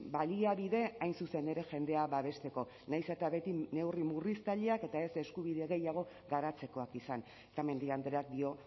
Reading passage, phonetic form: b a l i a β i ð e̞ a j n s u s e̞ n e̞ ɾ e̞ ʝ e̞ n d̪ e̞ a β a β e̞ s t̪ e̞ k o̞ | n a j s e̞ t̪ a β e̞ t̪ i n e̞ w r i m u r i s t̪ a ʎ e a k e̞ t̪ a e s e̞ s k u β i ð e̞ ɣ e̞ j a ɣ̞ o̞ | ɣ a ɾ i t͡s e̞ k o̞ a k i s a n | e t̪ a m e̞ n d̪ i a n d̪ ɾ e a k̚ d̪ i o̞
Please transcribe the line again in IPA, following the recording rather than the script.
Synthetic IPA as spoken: b a l i a β i ð e̞ a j n s u s e̞ n e̞ ɾ e̞ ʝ e̞ n d̪ e̞ a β a β e̞ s t̪ e̞ k o̞ | n a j s e̞ t̪ a β e̞ t̪ i n e̞ w r i m u r i s t̪ a ʎ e a k e̞ t̪ a e s e̞ s k u β i ð e̞ ɣ e̞ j a ɣ̞ o̞ | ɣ a ɾ a t͡s e̞ k o̞ a k i s a n | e t̪ a m e̞ n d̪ i a n d̪ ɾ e a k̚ d̪ i o̞